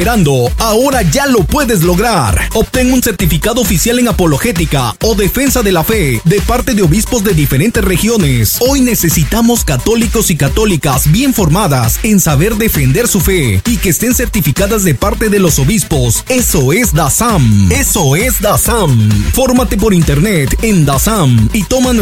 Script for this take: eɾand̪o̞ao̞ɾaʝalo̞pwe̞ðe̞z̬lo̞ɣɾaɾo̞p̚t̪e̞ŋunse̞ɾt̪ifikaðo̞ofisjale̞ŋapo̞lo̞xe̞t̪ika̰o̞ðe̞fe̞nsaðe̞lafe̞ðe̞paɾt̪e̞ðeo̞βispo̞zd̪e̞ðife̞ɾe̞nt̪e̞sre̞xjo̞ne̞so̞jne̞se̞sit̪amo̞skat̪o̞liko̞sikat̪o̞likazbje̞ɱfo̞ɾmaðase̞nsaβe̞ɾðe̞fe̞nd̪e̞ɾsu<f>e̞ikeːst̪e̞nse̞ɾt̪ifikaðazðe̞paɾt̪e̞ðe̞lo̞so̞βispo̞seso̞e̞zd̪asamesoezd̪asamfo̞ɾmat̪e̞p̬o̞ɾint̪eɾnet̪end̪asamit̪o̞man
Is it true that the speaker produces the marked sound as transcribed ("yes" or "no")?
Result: yes